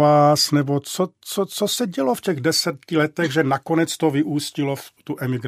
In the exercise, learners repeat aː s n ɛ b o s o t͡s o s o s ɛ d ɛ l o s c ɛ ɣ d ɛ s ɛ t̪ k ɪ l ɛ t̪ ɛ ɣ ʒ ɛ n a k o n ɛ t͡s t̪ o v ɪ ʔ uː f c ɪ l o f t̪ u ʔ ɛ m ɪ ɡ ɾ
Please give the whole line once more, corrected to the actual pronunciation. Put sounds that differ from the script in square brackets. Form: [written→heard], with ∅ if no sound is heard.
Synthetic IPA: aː s n ɛ b o [s→t͡s] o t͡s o [s→t͡s] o s ɛ [d→ɟ] ɛ l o [s→f] c ɛ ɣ d ɛ s ɛ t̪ [k→c] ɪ l ɛ t̪ ɛ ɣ ʒ ɛ n a k o n ɛ t͡s t̪ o v ɪ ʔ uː [f→s] c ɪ l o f t̪ u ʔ ɛ m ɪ ɡ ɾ